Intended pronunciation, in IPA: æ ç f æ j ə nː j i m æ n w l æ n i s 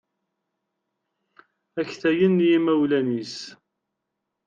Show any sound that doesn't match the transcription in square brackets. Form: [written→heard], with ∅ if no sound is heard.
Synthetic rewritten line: æ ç [f→θ] æ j ə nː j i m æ [n→∅] w l æ n i s